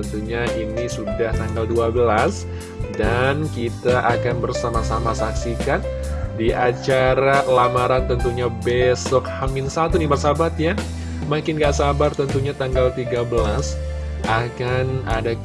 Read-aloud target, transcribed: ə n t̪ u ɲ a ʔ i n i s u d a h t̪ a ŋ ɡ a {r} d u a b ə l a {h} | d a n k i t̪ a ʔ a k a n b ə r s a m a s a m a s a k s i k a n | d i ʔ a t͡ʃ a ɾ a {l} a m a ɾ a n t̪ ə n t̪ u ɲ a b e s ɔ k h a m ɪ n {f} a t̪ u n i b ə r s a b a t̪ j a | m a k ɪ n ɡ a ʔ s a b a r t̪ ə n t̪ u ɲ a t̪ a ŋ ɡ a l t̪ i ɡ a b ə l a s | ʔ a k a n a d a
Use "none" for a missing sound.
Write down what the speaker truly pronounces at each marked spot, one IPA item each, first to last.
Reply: l, s, l, s

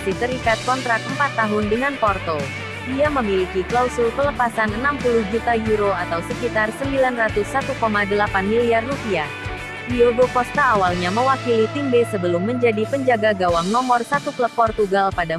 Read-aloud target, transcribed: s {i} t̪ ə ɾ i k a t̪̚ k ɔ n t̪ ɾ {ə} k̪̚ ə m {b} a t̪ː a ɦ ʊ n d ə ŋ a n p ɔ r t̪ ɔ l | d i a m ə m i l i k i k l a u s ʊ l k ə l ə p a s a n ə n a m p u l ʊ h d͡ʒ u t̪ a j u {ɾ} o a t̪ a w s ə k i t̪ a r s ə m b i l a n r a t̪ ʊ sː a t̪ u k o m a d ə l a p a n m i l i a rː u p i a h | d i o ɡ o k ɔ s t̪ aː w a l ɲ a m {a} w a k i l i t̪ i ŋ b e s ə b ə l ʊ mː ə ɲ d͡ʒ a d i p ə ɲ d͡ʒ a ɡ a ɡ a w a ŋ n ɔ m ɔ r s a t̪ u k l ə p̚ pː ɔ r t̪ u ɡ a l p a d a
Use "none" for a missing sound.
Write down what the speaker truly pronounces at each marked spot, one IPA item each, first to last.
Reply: i, a, p, ɾ, ə

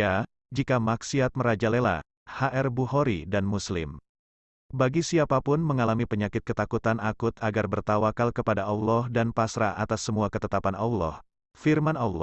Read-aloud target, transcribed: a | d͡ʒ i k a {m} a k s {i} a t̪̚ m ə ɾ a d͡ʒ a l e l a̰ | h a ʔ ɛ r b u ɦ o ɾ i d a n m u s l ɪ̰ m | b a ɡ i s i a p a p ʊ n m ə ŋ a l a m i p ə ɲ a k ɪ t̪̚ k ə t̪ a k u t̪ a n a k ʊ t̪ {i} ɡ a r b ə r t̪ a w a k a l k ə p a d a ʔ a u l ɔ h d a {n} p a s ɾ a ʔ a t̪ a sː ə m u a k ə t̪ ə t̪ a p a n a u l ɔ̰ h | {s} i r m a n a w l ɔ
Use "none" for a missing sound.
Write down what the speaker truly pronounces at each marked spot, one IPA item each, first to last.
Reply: m, i, a, n, f

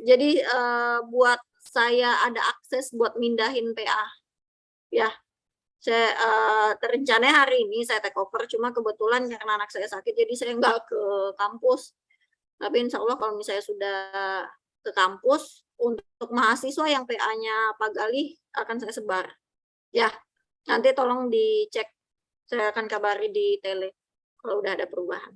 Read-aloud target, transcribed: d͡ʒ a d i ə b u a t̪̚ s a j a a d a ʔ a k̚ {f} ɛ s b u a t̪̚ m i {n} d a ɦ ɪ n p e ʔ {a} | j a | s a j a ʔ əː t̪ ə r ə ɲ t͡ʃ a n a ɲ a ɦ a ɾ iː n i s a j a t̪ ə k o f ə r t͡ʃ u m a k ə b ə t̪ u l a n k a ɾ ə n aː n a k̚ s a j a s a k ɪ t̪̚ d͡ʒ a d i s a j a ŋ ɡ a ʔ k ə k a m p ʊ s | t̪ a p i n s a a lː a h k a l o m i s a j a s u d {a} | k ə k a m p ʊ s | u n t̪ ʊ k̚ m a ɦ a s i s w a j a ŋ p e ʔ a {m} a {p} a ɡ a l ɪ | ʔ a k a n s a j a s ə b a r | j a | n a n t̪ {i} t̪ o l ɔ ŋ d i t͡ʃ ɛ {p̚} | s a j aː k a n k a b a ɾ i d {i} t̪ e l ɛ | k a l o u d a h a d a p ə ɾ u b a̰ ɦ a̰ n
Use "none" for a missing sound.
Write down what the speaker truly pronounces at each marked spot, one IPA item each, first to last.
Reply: s, n, a, a, ɲ, p, i, k̚, i

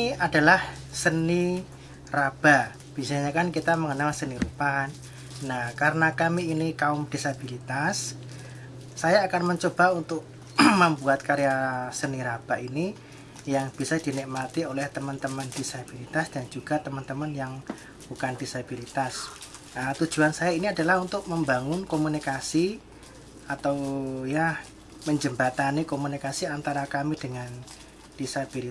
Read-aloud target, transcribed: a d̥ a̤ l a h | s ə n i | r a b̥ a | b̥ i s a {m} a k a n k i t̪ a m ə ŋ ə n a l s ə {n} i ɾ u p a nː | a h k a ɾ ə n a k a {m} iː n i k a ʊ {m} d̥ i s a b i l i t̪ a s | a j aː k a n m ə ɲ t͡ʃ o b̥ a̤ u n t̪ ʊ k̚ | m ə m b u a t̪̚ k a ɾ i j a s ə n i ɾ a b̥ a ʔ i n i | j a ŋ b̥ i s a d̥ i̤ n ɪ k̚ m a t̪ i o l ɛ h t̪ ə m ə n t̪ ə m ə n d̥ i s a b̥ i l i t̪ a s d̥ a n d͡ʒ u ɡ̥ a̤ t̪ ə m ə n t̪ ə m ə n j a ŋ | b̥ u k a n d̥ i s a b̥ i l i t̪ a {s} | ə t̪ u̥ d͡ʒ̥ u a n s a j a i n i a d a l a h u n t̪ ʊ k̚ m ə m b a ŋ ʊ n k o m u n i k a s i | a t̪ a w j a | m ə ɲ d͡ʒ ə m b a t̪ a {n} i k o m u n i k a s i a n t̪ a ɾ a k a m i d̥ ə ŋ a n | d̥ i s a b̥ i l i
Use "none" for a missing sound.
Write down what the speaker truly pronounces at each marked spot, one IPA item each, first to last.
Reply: ɲ, n, m, m, s, n

